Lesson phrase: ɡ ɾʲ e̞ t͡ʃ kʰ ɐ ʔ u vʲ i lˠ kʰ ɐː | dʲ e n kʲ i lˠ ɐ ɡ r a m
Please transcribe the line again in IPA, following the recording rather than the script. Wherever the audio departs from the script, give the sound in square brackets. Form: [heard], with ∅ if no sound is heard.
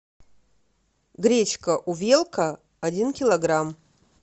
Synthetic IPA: ɡ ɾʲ e̞ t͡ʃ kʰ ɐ ʔ u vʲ [e] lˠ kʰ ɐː | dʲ [i] n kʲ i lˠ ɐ ɡ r a m